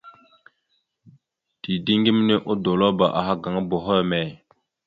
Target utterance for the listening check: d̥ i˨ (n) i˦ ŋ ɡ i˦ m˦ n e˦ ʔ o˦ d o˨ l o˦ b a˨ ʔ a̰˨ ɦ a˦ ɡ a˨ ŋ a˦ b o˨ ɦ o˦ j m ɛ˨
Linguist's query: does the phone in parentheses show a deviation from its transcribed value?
yes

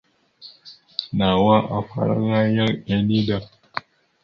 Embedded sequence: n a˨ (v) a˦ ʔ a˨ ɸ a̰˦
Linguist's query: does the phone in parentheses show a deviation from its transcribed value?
yes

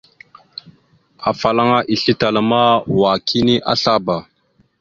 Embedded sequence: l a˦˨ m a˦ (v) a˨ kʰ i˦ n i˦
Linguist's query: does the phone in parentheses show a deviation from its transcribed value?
yes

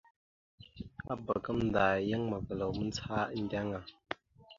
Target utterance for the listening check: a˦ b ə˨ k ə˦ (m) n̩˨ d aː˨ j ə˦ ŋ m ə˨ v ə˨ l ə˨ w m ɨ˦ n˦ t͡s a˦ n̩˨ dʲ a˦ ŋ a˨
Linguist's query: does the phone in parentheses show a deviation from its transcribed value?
no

